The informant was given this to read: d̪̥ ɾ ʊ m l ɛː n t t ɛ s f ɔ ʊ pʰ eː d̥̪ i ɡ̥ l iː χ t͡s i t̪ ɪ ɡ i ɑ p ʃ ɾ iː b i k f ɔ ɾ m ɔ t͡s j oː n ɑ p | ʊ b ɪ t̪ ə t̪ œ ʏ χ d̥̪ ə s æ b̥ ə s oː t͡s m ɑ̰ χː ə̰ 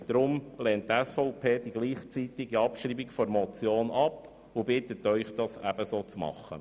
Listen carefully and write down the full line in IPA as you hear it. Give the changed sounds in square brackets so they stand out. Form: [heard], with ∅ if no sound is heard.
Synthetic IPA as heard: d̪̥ ɾ ʊ m l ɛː n t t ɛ s f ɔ ʊ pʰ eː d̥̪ i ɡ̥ l iː χ t͡s i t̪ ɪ ɡ i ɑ p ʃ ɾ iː b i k f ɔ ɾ m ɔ t͡s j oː n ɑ p | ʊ b ɪ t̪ ə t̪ œ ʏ χ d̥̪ [ɑ] s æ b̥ ə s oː t͡s m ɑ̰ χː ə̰